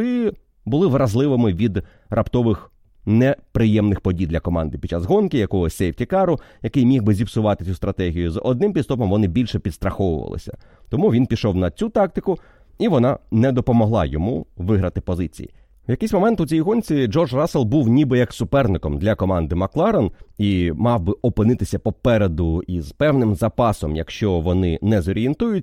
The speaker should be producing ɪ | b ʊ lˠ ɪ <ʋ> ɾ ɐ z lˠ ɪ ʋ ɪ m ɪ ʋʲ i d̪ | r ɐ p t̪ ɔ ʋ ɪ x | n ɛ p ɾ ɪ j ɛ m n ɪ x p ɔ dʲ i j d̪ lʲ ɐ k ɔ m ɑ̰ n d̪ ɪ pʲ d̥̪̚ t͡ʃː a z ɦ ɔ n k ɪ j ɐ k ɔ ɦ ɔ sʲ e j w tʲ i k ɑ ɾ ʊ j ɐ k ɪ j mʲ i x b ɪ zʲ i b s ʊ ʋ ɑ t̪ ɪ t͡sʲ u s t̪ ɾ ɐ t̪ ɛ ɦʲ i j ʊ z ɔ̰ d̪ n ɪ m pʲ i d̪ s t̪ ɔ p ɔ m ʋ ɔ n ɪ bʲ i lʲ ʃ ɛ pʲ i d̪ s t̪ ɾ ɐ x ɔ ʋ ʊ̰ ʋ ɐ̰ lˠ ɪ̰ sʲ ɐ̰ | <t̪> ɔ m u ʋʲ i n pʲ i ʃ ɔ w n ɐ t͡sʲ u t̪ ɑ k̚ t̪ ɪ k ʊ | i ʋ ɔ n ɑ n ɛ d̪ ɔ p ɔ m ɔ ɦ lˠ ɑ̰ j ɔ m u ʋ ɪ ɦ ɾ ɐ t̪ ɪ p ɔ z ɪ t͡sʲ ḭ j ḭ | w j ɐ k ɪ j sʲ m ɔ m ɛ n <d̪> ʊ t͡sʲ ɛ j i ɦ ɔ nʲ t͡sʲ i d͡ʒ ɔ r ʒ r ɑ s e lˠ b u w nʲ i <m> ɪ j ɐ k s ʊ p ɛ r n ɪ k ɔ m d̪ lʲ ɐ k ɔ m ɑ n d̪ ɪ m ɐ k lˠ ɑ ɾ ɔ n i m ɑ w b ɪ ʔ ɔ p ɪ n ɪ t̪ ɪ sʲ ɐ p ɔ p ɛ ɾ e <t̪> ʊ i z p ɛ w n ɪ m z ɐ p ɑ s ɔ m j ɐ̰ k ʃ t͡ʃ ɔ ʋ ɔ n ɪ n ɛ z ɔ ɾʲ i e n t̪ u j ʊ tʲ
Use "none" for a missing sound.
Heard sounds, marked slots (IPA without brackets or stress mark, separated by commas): ʋ, t̪, t̪, b, d̪